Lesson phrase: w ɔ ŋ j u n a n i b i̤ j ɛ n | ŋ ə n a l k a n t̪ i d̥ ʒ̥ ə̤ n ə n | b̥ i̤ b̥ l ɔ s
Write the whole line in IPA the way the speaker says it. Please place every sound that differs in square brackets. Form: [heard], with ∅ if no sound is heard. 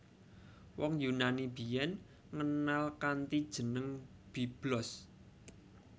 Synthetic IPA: w ɔ ŋ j u n a n i b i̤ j ɛ n | ŋ ə n a l k a n t̪ i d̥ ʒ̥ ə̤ n ə [ŋ] | b̥ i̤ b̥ l ɔ s